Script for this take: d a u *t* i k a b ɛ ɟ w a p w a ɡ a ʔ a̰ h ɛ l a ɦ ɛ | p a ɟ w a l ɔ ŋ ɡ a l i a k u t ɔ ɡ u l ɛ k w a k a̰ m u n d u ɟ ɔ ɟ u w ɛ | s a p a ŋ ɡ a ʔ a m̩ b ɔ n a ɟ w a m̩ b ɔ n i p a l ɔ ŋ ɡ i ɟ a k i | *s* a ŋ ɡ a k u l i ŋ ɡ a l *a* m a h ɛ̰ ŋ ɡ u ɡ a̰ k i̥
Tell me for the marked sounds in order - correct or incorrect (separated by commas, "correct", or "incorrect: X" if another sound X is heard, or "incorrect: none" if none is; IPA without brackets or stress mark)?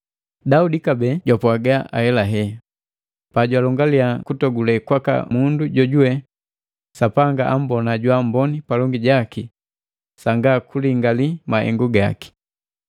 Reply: incorrect: d, correct, incorrect: i